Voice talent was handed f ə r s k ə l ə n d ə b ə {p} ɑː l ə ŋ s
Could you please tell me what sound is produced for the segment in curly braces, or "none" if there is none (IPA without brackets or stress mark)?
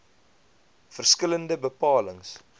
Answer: p